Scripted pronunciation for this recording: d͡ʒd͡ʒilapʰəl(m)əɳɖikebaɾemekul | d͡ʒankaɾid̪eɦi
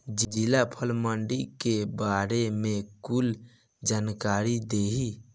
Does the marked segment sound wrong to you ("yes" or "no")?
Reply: no